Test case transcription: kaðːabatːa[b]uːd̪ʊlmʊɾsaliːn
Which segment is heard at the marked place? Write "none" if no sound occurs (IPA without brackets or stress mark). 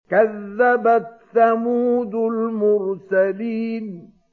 m